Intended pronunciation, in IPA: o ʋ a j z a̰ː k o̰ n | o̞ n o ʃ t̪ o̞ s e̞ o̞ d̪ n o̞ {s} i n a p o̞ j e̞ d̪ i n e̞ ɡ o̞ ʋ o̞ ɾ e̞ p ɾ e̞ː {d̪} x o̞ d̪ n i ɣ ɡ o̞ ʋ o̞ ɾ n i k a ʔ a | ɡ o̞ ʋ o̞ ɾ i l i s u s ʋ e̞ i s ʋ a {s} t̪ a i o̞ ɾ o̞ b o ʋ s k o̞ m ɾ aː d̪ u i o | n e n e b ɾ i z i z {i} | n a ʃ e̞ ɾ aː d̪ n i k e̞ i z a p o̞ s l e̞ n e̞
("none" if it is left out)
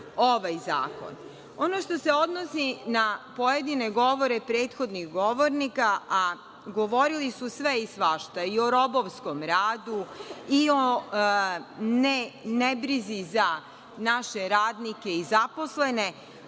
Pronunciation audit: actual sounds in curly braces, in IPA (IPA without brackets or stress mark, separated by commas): s, t̪, ʃ, a